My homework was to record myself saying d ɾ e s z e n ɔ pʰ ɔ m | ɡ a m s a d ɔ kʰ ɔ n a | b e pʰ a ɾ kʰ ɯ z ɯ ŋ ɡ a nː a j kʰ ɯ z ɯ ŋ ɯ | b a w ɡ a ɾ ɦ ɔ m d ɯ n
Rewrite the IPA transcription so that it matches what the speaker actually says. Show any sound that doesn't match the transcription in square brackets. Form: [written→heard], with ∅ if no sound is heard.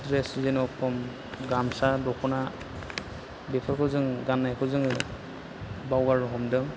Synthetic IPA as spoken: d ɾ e s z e n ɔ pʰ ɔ m | ɡ a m s a d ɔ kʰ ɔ n a | b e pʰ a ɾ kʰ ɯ z ɯ ŋ ɡ a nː a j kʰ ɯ z ɯ ŋ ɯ | b a w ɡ a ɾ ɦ ɔ m d ɯ [n→ŋ]

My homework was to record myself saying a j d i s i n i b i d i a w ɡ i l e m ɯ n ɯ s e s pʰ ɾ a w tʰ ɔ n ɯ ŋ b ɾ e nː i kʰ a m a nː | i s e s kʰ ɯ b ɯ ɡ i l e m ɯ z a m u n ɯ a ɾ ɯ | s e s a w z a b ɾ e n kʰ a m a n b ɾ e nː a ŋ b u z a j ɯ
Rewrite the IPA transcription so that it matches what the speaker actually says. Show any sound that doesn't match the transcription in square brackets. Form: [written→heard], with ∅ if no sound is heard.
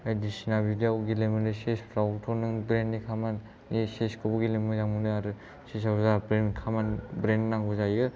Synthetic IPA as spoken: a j d i s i n [i→a] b i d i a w ɡ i l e m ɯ n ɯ s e s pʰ ɾ a w tʰ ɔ n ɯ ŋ b ɾ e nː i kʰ a m a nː | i s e s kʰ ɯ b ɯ ɡ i l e m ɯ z a m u n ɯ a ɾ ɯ | s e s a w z a b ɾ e n kʰ a m a n b ɾ e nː a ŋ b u z a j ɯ

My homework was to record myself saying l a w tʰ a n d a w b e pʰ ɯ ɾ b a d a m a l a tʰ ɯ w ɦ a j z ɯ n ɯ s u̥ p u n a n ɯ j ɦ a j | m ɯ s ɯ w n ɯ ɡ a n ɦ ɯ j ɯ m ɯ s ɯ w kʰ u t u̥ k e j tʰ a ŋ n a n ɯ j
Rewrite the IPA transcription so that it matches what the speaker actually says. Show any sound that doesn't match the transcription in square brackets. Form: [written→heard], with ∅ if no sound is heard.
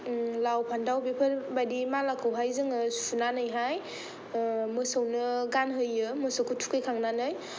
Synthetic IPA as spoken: l a w [tʰ→pʰ] a n d a w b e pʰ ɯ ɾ b a d [a→i] m a l a [tʰ→kʰ] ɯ w ɦ a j z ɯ [n→ŋ] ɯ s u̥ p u n a n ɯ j ɦ a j | m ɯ s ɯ w n ɯ ɡ a n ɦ ɯ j ɯ m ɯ s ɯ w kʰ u [t→tʰ] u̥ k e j [tʰ→kʰ] a ŋ n a n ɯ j

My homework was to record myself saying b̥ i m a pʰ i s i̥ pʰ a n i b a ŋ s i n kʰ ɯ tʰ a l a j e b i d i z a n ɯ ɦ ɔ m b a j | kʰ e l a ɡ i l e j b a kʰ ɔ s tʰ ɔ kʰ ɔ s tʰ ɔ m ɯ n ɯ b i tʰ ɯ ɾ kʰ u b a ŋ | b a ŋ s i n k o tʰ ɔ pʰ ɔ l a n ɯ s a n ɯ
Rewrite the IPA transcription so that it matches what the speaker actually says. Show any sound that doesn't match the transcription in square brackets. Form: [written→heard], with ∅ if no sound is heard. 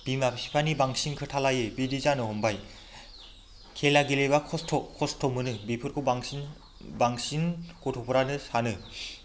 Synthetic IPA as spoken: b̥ i m a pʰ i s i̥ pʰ a n i b a ŋ s i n kʰ ɯ tʰ a l a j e b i d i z a n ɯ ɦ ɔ m b a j | kʰ e l a ɡ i l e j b a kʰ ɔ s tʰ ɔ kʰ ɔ s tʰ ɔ m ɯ n ɯ b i [tʰ→pʰ] ɯ ɾ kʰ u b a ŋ | b a ŋ s i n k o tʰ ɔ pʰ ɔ [l→ɾ] a n ɯ s a n ɯ

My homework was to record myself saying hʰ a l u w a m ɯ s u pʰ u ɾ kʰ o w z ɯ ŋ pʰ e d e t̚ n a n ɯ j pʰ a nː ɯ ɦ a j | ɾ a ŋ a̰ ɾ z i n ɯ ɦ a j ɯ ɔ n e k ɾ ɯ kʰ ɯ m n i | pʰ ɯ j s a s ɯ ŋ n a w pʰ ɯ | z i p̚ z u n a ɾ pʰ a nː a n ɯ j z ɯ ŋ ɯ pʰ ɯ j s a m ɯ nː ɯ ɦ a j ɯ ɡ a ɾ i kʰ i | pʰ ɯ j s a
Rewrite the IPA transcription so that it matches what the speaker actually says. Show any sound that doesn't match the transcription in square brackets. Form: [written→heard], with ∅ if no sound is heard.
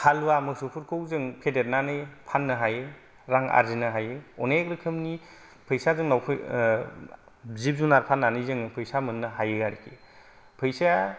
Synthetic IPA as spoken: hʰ a l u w a m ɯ s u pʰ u ɾ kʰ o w z ɯ ŋ pʰ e d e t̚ n a n ɯ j pʰ a nː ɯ ɦ a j | ɾ a ŋ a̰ ɾ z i n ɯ ɦ a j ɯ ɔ n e k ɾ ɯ kʰ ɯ m n i | pʰ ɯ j s a [s→z] ɯ ŋ n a w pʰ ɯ | z i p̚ z u n a ɾ pʰ a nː a n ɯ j z ɯ ŋ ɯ pʰ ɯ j s a m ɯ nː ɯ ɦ a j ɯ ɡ a ɾ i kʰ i | pʰ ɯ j s a

